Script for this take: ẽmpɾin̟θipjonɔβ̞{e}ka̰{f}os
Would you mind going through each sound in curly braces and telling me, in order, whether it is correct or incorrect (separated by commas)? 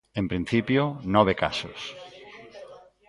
correct, incorrect